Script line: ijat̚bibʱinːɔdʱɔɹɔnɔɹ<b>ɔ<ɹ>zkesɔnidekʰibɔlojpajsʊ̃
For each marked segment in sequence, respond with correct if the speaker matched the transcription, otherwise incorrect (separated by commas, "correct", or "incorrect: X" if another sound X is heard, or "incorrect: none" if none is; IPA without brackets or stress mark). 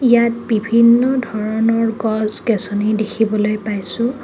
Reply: incorrect: ɡ, incorrect: none